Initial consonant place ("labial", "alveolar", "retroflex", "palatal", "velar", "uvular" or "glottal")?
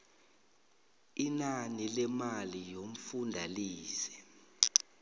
alveolar